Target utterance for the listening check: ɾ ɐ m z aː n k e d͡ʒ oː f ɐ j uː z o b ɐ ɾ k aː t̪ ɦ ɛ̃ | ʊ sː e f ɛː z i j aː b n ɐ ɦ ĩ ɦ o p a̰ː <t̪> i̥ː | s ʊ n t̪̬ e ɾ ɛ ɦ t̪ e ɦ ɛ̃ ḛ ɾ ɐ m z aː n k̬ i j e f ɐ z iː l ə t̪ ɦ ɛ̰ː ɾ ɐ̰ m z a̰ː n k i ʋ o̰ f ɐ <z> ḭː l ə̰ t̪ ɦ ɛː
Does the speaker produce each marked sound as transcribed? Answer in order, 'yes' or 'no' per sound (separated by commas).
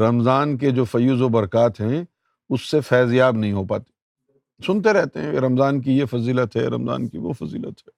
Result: yes, yes